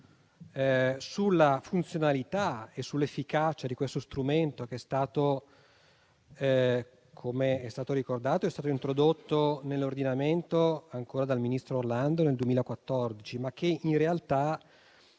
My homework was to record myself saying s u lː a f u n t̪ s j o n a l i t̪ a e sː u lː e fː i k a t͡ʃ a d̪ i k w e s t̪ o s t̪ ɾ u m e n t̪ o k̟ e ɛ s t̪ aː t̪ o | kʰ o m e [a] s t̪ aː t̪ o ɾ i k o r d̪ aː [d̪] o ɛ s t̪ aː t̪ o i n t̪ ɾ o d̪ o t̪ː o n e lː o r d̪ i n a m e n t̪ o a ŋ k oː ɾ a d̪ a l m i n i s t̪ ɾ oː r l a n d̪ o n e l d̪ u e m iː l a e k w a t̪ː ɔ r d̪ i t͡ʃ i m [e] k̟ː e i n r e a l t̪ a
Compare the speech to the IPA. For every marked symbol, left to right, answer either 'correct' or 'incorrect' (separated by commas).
incorrect, incorrect, incorrect